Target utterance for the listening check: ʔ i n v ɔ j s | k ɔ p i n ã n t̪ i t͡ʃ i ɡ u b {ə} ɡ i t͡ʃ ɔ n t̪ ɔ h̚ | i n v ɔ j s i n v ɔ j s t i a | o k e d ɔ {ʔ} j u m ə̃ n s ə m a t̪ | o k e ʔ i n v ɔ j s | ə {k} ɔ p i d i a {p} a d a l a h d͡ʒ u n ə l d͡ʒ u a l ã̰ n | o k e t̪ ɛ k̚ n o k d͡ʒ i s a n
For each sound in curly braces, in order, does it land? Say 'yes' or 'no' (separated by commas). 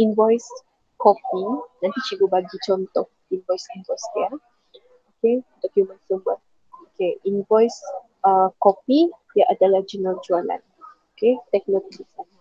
no, no, yes, no